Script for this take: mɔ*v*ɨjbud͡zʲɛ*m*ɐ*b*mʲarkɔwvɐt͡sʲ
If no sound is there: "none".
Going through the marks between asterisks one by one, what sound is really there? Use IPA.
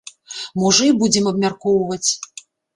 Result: ʐ, m, b

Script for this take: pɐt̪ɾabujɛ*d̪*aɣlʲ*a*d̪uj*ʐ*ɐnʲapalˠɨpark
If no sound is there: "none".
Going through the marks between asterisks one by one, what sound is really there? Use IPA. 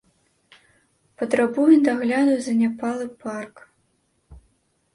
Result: d̪, a, z

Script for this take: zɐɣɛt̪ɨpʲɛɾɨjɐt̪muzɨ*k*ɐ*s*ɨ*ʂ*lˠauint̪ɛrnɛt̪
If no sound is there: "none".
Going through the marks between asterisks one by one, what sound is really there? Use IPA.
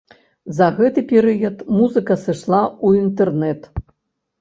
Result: k, s, ʂ

